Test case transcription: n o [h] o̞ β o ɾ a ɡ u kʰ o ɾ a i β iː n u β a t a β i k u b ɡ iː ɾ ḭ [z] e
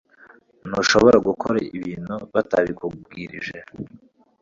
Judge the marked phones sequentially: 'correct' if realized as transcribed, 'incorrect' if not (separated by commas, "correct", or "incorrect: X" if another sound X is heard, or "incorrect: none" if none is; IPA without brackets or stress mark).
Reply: incorrect: ʃ, incorrect: ʒ